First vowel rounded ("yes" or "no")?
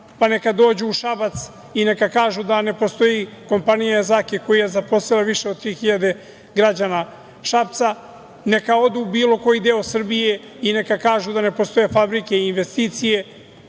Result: no